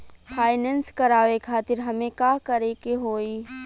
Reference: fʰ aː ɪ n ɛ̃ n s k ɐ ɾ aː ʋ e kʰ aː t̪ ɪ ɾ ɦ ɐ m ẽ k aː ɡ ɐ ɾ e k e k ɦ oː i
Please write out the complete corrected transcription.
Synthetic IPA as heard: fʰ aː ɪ n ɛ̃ n s k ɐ ɾ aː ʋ e kʰ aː t̪ ɪ ɾ ɦ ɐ m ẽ k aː k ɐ ɾ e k e ɦ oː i